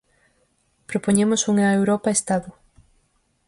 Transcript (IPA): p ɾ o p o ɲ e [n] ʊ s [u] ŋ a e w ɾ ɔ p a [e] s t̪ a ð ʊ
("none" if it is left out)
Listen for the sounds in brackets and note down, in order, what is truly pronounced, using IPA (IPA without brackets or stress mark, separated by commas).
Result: m, u, e